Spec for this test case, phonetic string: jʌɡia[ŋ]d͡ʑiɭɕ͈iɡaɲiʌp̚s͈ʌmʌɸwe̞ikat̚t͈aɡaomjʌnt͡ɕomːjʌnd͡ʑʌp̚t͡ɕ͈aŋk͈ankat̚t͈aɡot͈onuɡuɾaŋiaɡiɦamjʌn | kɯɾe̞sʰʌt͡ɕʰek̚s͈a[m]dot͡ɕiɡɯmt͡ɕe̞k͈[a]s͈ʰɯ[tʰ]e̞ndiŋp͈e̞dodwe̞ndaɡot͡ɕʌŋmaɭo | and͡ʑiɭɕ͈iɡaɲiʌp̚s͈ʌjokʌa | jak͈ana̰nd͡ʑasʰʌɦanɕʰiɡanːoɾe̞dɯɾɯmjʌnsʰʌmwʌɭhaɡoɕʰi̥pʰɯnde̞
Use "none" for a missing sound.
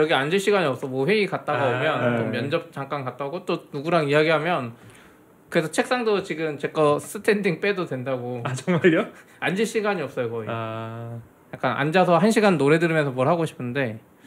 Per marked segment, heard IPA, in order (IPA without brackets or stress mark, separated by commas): n, ŋ, ʌ, tʰ